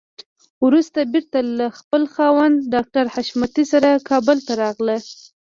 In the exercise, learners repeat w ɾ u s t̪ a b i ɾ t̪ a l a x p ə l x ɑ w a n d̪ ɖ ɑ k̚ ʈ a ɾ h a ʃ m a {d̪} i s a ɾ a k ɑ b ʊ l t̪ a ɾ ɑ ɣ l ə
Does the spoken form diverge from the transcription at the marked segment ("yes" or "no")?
yes